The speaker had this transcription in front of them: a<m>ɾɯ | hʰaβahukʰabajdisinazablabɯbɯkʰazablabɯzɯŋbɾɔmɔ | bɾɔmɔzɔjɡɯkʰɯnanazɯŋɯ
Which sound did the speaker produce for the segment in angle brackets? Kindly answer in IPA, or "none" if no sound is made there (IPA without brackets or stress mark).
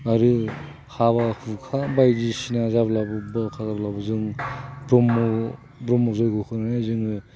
none